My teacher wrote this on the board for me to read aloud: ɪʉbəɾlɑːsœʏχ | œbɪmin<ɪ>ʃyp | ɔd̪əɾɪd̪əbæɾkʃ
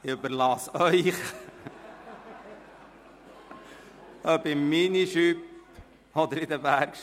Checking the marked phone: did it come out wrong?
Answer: yes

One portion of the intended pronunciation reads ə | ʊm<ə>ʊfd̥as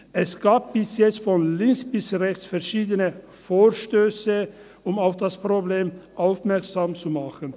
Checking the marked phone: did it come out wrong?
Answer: yes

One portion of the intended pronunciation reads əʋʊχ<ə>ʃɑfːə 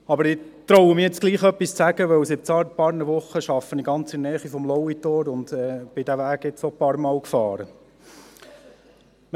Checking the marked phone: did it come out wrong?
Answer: no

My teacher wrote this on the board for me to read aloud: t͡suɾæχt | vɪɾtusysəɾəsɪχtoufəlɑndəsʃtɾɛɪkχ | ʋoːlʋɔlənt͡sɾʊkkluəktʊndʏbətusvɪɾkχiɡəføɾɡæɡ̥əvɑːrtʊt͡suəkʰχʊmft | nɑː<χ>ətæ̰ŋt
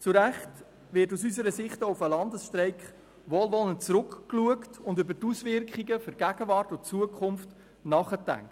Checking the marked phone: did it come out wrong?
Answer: no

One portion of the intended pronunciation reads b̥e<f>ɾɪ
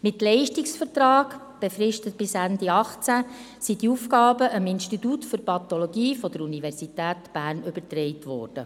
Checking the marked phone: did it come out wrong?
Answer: no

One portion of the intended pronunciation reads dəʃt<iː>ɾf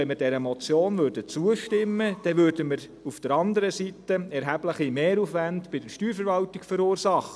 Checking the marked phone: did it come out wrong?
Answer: yes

